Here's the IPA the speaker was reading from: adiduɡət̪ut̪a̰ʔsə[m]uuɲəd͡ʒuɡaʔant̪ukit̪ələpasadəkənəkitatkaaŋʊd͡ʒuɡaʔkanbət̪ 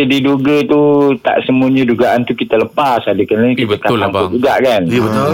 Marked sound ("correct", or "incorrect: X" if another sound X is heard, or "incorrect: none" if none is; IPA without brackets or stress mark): correct